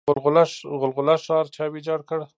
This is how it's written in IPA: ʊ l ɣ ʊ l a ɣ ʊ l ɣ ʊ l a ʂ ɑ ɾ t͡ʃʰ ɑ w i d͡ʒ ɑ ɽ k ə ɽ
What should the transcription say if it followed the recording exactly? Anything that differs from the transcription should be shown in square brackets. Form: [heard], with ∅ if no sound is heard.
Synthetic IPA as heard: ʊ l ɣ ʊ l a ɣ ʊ l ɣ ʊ l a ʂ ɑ ɾ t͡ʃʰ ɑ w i d͡ʒ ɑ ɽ k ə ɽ

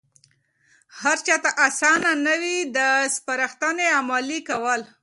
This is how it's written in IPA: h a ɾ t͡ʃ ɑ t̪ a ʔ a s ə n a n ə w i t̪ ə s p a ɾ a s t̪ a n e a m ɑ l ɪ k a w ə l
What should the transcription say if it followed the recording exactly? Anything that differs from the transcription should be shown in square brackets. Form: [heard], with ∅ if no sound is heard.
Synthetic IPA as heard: h a ɾ t͡ʃ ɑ t̪ a ʔ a s [ɑ] n a n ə w i [d̪] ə s p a ɾ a [x] t̪ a n e a m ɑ l [i] k a w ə l

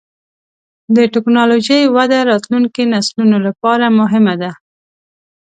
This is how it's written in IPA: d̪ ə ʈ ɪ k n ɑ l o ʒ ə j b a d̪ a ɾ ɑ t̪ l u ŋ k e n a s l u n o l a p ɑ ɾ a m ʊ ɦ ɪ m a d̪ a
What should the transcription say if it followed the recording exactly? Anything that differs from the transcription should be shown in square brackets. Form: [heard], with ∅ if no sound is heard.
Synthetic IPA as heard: d̪ ə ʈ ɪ k n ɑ l o ʒ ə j [w] a d̪ a ɾ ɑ t̪ l u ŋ k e n a s l u n o l a p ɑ ɾ a m ʊ ɦ ɪ m a d̪ a

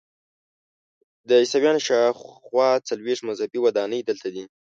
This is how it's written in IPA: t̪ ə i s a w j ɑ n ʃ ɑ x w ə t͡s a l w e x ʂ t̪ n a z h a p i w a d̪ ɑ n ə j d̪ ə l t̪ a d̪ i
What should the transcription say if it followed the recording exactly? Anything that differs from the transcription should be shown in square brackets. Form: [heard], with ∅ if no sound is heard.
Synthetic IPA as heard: [d̪] ə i s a w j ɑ n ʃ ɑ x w [ɑ] t͡s a l w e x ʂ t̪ [m] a z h a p i w a d̪ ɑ n ə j d̪ ə l t̪ a d̪ i

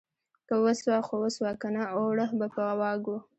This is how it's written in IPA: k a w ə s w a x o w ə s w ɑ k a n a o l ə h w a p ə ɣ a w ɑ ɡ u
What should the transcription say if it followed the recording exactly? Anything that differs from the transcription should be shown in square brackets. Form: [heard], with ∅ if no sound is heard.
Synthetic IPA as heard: k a w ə s w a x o w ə s w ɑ k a n a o [ɽ] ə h [b] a p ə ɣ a w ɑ ɡ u

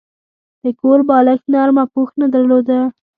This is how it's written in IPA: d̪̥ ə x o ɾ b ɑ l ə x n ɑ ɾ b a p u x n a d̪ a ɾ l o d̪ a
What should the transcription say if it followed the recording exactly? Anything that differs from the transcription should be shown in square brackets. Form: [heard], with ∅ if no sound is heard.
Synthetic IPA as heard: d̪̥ ə [k] o ɾ b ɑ l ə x n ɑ ɾ [m] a p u x n a d̪ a ɾ l o d̪ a

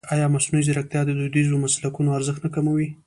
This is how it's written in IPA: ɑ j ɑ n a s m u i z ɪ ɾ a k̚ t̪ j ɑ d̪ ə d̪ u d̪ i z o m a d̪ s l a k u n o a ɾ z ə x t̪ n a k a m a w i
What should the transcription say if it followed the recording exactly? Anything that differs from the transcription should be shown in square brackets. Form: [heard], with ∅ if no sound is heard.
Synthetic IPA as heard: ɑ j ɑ [m] a s [n] u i z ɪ ɾ a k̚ t̪ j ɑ d̪ ə d̪ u d̪ i z o m a [∅] s l a k u n o a ɾ z ə x t̪ n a k a m a w i

